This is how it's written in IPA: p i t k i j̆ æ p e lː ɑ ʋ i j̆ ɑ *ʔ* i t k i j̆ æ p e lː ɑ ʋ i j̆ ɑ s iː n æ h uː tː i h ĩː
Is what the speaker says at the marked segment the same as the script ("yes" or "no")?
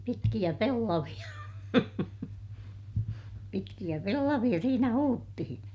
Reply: no